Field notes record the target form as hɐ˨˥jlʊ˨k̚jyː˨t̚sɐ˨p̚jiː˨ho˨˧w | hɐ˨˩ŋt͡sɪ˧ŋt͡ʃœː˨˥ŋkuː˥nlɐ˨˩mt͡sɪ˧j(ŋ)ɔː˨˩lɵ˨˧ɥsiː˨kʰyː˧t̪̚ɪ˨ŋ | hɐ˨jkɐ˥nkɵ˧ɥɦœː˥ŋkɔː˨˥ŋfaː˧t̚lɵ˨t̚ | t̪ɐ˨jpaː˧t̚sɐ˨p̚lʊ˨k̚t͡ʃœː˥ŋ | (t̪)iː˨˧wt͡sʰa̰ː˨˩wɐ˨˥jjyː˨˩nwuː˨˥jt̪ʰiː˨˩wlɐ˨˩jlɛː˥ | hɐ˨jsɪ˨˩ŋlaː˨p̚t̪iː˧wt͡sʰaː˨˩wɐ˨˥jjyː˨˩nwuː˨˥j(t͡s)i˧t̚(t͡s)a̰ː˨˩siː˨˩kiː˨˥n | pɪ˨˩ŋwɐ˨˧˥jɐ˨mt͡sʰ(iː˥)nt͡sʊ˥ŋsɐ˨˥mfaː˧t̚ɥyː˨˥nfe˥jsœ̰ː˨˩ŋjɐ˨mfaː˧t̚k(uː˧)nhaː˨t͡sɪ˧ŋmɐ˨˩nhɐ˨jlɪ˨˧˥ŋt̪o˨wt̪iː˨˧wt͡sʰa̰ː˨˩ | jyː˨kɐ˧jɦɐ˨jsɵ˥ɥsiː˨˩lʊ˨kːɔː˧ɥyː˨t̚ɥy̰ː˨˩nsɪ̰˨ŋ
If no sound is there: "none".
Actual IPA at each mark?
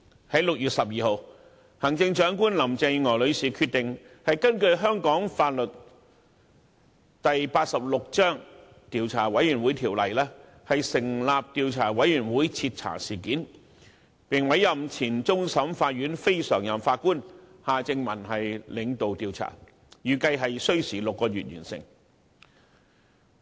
ŋ, t̪, t͡sʰ, t͡sʰ, iː˨˩, uː˥

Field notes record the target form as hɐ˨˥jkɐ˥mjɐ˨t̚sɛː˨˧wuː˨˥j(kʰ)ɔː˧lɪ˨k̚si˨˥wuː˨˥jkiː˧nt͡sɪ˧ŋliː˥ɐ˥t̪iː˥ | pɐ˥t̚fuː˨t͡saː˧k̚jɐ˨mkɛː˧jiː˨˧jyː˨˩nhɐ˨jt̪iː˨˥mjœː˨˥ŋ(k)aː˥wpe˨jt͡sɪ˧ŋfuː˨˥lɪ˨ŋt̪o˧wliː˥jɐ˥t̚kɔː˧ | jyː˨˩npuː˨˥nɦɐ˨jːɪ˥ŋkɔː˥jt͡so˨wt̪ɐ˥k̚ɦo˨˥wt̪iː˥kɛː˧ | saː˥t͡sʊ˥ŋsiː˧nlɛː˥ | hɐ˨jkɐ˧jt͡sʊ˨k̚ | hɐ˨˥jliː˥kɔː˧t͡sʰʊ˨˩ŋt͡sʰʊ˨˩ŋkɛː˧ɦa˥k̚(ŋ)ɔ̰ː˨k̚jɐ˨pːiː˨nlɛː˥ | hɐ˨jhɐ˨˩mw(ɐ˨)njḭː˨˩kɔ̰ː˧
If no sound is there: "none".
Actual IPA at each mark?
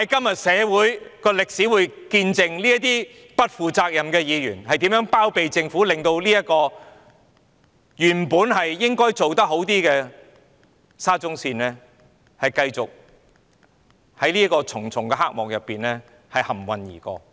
k, p, m, ɐ˨

